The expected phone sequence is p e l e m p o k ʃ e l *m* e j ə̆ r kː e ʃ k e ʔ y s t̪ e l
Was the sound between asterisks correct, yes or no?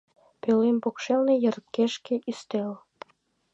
no